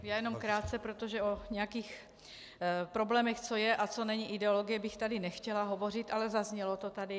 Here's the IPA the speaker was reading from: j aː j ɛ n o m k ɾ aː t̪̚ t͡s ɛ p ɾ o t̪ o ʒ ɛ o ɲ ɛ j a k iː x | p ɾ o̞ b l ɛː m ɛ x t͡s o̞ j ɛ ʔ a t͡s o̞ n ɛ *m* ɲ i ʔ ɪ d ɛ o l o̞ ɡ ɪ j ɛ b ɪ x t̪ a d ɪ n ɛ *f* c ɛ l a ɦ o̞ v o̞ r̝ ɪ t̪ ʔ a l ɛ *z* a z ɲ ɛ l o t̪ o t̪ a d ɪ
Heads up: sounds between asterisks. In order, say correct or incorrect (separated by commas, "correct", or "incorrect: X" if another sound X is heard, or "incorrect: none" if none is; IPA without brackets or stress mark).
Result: incorrect: none, incorrect: x, correct